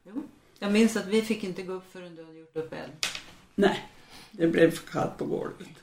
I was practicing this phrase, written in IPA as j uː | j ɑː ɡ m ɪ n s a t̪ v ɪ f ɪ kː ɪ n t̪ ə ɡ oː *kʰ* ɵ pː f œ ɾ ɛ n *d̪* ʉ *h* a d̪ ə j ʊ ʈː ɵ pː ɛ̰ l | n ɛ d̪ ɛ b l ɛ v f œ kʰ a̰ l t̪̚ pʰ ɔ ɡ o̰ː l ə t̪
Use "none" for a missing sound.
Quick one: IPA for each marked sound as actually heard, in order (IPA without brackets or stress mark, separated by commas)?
none, d̪, h